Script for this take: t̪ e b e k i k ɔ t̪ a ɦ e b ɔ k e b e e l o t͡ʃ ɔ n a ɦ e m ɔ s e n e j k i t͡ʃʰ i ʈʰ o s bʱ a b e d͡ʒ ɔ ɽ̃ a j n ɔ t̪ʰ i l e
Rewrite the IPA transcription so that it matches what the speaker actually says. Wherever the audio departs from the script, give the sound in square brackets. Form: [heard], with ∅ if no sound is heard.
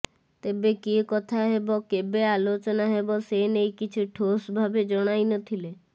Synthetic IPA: t̪ e b e k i k ɔ [t̪ʰ] a ɦ e b ɔ k e b e [a] l o t͡ʃ ɔ n a ɦ e [b] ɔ s e n e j k i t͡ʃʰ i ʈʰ o s bʱ a b e d͡ʒ ɔ ɽ̃ a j n ɔ t̪ʰ i l e